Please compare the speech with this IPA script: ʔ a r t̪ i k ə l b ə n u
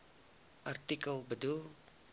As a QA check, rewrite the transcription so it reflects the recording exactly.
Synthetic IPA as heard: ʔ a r t̪ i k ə l b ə d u

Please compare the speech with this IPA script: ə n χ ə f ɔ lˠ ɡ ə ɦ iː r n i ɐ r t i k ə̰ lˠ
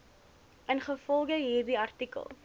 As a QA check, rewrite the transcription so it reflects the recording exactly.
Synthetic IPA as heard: ə n χ ə f ɔ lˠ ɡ ə ɦ iː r d i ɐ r t i k ə̰ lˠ

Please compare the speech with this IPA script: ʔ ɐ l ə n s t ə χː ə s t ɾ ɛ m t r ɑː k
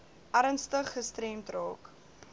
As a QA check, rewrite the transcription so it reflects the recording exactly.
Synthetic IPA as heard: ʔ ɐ ɾ ə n s t ə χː ə s t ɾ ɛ m t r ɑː k

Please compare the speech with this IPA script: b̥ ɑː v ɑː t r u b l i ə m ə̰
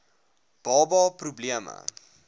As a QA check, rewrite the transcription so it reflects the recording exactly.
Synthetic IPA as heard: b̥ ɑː b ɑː p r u b l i ə m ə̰

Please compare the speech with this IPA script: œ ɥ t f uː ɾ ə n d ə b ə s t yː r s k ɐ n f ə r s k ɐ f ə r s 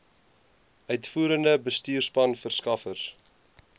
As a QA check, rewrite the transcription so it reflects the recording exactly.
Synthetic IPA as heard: œ ɥ t f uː ɾ ə n d ə b ə s t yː r s p ɐ n f ə r s k ɐ f ə r s

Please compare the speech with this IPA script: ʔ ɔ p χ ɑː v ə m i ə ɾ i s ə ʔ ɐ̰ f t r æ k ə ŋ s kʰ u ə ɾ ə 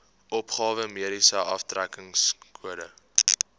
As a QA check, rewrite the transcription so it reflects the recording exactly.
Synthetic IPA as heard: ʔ ɔ p χ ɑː v ə m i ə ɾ i s ə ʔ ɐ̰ f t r æ k ə ŋ s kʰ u ə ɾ ə

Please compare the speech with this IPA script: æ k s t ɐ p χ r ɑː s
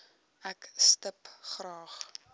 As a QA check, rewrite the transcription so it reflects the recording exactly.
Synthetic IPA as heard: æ k s t ə p χ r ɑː χ

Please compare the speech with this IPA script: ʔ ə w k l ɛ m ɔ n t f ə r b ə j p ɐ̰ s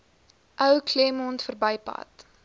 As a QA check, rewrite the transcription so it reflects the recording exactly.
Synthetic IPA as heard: ʔ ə w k l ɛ m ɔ n t f ə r b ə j p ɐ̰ t

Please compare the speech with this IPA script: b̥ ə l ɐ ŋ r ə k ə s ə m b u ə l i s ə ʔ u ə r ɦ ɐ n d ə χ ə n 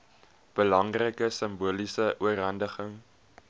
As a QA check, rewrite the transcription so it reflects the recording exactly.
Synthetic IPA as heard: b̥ ə l ɐ ŋ r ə k ə s ə m b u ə l i s ə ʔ u ə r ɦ ɐ n d ə χ ə ŋ

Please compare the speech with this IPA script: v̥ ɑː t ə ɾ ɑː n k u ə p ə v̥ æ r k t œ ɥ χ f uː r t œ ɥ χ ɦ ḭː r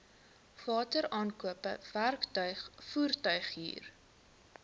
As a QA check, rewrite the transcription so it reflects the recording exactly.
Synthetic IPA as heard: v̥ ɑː t ə ɾ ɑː n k u ə p ə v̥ æ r k t œ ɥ χ f uː r t œ ɥ χ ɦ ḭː r

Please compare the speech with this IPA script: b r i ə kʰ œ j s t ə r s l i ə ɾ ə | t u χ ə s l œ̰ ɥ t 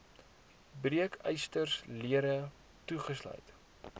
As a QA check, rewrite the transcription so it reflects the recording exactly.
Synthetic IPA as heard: b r i ə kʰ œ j s t ə r s l i ə ɾ ə | t u χ ə s l œ̰ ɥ t

